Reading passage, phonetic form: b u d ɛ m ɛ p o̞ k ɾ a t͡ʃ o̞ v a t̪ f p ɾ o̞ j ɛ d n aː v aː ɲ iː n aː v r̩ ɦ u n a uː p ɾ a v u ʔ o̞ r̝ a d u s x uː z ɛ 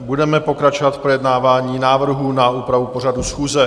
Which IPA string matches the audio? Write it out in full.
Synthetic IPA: b u d ɛ m ɛ p o̞ k ɾ a t͡ʃ o̞ v a t̪ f p ɾ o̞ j ɛ d n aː v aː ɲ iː n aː v r̩ ɦ u n a uː p ɾ a v u p o̞ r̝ a d u s x uː z ɛ

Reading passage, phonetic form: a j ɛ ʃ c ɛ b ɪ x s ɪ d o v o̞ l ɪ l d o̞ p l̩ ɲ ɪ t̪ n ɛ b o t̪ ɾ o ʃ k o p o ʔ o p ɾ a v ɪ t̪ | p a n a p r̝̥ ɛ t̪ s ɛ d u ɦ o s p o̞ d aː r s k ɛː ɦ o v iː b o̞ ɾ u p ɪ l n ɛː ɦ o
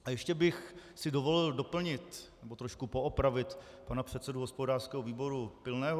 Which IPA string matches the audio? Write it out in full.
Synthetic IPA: a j ɛ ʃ c ɛ b ɪ x s ɪ d o v o̞ l ɪ l d o̞ p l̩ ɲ ɪ t̪ n ɛ b o t̪ ɾ o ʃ k u p o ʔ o p ɾ a v ɪ t̪ | p a n a p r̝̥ ɛ t̪ s ɛ d u ɦ o s p o̞ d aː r s k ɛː ɦ o v iː b o̞ ɾ u p ɪ l n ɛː ɦ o

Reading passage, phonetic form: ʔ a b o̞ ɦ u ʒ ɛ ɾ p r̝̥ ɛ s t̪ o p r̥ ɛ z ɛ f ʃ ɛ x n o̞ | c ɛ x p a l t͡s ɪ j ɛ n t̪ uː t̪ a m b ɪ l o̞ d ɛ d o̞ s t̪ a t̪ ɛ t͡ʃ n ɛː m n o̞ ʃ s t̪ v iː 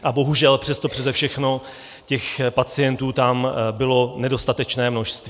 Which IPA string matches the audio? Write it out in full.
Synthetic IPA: ʔ a b o̞ ɦ u ʒ ɛ l p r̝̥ ɛ s t̪ o p r̥ ɛ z ɛ f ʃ ɛ x n o̞ | c ɛ x p a t͡s ɪ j ɛ n t̪ uː t̪ a m b ɪ l o̞ n ɛ d o̞ s t̪ a t̪ ɛ t͡ʃ n ɛː m n o̞ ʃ s t̪ v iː

